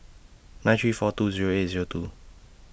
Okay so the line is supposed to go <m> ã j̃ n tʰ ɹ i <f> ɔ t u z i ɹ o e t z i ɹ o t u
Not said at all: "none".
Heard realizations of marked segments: n, f

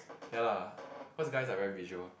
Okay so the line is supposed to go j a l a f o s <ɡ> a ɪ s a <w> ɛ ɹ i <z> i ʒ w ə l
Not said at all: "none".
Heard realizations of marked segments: ɡ, v, v

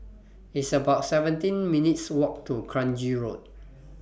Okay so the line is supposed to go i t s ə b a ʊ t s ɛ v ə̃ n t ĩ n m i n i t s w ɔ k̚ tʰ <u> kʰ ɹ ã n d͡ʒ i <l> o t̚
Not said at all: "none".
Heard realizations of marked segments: u, ɹ

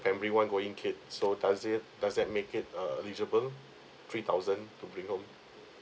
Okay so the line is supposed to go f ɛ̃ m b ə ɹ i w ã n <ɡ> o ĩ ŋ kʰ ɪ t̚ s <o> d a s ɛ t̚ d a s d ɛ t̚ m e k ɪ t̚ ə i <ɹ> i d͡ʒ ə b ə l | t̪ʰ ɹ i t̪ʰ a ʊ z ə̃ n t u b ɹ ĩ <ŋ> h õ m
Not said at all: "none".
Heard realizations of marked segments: ɡ, o, l, ŋ

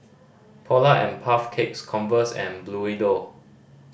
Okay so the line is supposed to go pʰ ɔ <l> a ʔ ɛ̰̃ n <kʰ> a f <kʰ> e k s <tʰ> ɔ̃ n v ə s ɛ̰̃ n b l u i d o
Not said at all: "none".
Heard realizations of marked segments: l, pʰ, kʰ, kʰ

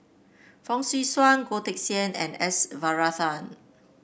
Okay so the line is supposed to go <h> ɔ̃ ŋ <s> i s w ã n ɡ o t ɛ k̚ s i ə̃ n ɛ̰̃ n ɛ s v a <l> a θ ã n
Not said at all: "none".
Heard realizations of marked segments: f, s, ɹ

